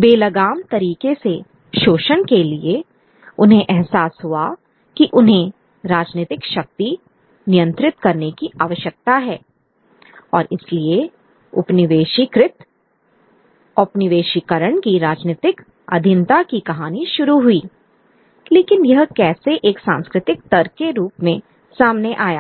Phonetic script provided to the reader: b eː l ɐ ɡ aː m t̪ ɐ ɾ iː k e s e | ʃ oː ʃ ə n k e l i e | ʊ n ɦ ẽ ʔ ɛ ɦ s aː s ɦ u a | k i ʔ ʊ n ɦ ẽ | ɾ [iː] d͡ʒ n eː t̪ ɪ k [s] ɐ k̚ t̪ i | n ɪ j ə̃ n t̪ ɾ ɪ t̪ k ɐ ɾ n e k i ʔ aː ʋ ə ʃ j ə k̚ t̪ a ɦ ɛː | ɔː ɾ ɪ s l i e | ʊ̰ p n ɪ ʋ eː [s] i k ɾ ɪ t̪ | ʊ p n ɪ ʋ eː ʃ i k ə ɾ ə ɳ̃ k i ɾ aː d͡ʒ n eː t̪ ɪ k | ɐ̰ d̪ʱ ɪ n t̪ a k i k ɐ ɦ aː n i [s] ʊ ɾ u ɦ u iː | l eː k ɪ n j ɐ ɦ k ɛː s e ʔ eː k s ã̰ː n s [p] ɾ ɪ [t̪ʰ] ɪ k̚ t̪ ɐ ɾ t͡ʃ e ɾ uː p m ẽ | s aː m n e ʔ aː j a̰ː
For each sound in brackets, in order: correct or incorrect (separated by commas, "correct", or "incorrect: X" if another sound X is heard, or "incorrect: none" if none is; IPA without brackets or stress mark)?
incorrect: aː, incorrect: ʃ, incorrect: ʃ, incorrect: ʃ, incorrect: k, incorrect: t̪